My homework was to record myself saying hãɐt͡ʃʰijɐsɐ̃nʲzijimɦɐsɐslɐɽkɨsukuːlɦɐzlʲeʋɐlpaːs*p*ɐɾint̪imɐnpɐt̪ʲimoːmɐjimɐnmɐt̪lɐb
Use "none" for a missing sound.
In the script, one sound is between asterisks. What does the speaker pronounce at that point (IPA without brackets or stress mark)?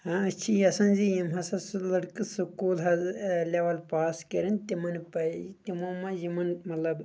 k